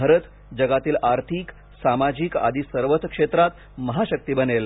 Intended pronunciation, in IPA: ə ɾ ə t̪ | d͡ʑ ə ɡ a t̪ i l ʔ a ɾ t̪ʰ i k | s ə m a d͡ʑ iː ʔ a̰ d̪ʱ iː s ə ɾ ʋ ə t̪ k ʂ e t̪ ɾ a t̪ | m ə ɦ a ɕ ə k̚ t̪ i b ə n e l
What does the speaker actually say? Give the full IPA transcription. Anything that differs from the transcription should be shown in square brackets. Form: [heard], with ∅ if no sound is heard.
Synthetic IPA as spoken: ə ɾ ə t̪ | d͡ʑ ə ɡ a t̪ [iː] l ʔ a ɾ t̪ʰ i k | s [a] m a d͡ʑ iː [k] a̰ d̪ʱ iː s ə ɾ ʋ ə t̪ k ʂ e t̪ ɾ a t̪ | m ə ɦ a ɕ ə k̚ t̪ i b ə n e l